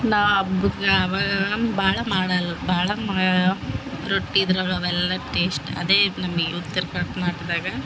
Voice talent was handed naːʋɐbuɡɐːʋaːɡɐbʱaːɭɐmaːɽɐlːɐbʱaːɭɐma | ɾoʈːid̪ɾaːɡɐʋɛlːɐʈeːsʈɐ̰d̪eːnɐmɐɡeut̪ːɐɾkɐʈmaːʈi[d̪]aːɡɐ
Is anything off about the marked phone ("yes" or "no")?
no